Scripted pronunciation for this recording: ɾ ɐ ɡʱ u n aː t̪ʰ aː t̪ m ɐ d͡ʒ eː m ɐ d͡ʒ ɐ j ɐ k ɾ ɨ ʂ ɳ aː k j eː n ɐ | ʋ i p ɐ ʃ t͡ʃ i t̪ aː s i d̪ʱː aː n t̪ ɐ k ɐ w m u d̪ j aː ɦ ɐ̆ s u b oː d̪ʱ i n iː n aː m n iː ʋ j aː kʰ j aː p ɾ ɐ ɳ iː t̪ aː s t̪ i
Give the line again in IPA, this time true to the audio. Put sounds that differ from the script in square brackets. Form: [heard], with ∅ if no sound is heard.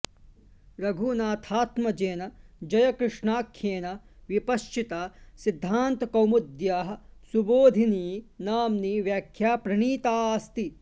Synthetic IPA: ɾ ɐ ɡʱ u n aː t̪ʰ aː t̪ m ɐ d͡ʒ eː [n] ɐ d͡ʒ ɐ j ɐ k ɾ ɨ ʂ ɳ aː [kʰ] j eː n ɐ | ʋ i p ɐ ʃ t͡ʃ i t̪ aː s i d̪ʱː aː n t̪ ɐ k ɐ w m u d̪ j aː ɦ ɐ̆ s u b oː d̪ʱ i n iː n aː m n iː ʋ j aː kʰ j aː p ɾ ɐ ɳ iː t̪ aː s t̪ i

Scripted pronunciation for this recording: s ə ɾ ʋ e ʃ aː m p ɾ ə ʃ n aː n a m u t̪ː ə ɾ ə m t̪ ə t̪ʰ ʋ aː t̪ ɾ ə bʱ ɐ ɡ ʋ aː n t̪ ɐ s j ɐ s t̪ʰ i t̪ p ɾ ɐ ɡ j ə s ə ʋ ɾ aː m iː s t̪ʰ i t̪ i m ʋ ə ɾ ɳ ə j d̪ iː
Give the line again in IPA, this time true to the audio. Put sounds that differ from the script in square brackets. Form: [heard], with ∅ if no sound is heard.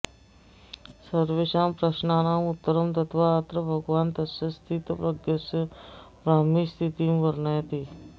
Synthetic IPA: s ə ɾ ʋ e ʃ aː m p ɾ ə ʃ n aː n a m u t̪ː ə ɾ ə m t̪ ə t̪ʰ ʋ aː t̪ ɾ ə bʱ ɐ ɡ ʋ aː n t̪ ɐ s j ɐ s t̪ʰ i t̪ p ɾ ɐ ɡ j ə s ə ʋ ɾ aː m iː s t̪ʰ i t̪ i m ʋ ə ɾ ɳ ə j [t̪] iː

